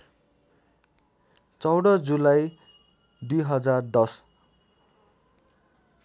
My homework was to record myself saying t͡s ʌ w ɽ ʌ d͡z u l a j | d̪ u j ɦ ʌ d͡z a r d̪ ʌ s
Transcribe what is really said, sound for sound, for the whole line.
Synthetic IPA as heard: t͡s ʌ w ɽ ʌ d͡z u l a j | d̪ u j ɦ ʌ d͡z a r d̪ ʌ s

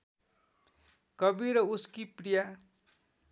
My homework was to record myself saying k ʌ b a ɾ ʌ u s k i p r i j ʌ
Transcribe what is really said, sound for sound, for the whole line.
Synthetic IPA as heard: k ʌ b i ɾ ʌ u s k i p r i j a

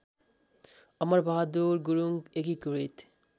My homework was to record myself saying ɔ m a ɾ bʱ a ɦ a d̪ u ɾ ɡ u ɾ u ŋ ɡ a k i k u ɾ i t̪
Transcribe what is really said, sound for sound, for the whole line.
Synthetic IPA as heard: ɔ m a ɾ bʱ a ɦ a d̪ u ɾ ɡ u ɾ u ŋ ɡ e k i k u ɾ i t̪

